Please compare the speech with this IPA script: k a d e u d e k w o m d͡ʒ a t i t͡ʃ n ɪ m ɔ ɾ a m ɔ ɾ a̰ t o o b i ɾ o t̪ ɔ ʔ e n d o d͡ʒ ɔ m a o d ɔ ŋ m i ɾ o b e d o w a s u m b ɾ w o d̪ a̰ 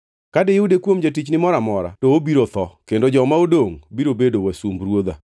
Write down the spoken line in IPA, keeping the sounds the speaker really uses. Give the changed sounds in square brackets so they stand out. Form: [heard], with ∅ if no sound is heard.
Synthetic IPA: k a d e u d e k w o m d͡ʒ a t i t͡ʃ n ɪ m ɔ ɾ a m ɔ ɾ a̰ t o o b i ɾ o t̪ ɔ [k] e n d o d͡ʒ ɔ m a o d [o] ŋ [b] i ɾ o b e d o w a s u m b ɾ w o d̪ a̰